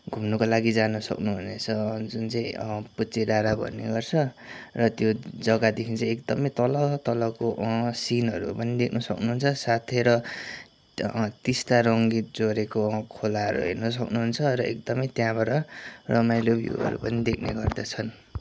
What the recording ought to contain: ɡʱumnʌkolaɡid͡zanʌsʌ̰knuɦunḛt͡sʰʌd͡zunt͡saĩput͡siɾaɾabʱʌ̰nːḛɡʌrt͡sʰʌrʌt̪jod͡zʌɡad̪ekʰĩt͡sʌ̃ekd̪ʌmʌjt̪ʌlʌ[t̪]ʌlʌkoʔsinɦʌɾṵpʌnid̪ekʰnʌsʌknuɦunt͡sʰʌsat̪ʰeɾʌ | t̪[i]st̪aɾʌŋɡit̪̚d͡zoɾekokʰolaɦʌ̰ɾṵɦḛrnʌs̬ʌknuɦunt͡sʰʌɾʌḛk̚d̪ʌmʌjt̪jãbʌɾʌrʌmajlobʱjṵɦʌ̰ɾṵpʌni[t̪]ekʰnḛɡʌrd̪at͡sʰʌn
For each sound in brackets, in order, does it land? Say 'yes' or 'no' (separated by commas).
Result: yes, yes, no